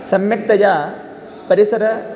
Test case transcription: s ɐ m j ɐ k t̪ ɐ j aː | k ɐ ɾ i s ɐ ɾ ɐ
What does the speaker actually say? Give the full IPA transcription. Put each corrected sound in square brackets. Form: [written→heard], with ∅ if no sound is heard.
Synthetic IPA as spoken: s ɐ m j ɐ k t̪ ɐ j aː | [k→p] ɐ ɾ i s ɐ ɾ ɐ